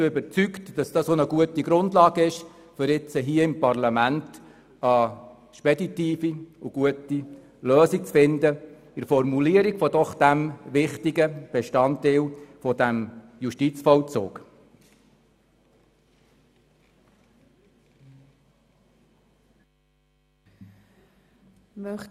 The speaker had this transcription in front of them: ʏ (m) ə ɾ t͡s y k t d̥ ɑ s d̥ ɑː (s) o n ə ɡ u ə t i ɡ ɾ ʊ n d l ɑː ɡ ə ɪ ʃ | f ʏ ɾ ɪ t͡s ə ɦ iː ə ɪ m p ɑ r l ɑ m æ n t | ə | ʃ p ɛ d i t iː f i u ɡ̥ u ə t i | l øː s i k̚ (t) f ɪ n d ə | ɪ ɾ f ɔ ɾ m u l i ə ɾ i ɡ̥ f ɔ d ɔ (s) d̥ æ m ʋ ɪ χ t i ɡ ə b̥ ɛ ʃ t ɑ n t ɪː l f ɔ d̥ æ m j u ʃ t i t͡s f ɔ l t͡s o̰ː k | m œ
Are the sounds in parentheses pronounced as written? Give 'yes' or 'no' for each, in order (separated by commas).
no, yes, no, no